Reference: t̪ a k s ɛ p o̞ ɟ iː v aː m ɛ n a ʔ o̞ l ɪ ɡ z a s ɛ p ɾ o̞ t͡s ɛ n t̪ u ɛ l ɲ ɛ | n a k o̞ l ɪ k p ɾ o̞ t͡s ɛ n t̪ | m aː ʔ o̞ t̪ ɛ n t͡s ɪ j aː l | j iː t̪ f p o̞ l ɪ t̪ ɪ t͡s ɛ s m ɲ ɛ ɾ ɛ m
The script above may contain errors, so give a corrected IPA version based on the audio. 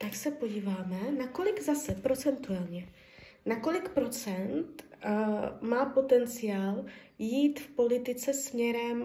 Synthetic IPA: t̪ a k s ɛ p o̞ ɟ iː v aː m ɛ n a k o̞ l ɪ ɡ z a s ɛ p ɾ o̞ t͡s ɛ n t̪ u ɛ l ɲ ɛ | n a k o̞ l ɪ k p ɾ o̞ t͡s ɛ n t̪ | m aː p o̞ t̪ ɛ n t͡s ɪ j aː l | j iː t̪ f p o̞ l ɪ t̪ ɪ t͡s ɛ s m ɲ ɛ ɾ ɛ m